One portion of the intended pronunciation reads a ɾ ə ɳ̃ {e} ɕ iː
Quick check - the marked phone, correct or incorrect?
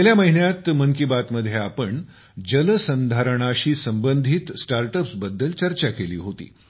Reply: incorrect